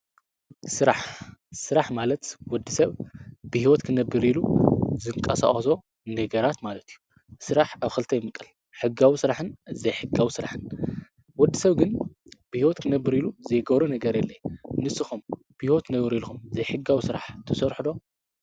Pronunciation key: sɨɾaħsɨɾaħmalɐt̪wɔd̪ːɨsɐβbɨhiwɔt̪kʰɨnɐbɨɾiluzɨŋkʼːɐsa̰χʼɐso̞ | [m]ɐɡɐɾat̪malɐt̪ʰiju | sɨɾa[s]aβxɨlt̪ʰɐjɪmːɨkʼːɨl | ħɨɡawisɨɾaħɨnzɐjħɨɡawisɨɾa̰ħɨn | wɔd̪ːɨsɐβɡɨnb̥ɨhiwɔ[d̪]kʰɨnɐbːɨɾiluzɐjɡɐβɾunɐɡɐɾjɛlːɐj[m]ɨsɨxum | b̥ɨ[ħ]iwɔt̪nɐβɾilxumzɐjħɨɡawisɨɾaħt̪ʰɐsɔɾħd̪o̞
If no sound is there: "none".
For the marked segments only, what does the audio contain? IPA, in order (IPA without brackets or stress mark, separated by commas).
n, ħ, t̪, n, h